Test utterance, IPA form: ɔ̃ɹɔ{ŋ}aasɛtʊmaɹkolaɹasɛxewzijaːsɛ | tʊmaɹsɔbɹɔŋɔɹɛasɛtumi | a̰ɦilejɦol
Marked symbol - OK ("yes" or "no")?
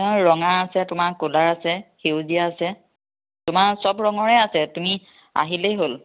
yes